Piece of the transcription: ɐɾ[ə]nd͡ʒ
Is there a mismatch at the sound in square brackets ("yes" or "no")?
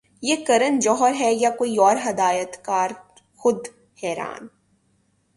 no